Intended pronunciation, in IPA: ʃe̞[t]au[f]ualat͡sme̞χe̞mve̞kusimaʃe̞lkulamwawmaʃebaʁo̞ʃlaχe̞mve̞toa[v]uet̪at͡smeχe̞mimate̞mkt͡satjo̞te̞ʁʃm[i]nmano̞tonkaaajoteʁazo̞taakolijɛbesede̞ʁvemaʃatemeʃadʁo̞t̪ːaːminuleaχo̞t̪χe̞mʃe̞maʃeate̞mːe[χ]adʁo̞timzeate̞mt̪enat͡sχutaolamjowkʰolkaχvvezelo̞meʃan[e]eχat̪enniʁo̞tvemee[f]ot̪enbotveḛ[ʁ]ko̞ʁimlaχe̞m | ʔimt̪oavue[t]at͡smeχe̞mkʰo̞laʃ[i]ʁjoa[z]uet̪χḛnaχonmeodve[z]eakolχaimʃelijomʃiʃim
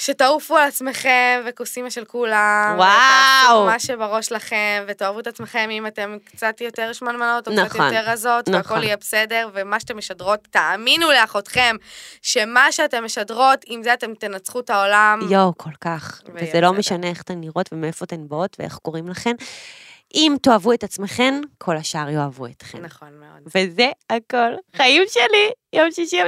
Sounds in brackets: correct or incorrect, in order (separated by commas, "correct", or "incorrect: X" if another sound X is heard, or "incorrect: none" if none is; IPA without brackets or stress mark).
correct, correct, correct, incorrect: a, incorrect: ʃ, correct, correct, incorrect: χ, correct, incorrect: a, incorrect: v, correct